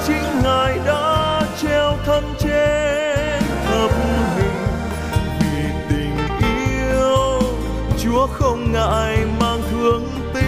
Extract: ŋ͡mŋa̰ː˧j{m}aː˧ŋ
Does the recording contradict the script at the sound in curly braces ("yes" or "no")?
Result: no